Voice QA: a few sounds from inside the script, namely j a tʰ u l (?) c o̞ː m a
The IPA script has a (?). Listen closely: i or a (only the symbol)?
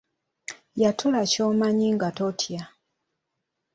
a